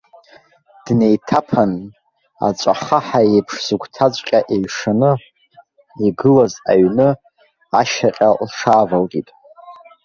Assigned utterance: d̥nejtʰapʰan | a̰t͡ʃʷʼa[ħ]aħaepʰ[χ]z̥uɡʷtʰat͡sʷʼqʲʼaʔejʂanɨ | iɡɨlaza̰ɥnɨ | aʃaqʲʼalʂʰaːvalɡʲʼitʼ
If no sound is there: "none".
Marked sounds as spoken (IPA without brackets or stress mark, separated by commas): χ, ʂ